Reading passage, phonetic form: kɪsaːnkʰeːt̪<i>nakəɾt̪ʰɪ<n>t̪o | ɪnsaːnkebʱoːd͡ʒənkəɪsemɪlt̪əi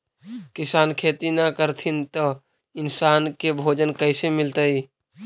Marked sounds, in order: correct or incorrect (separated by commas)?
correct, correct